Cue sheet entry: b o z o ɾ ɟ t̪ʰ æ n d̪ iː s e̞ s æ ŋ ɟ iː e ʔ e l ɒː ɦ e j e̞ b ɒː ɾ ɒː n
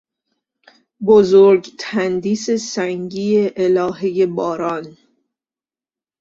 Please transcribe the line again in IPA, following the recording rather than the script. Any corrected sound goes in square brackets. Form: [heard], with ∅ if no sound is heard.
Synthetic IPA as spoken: b o z o ɾ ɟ t̪ʰ æ n d̪ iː s e̞ s æ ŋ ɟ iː e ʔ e l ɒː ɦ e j e̞ b ɒː ɾ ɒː n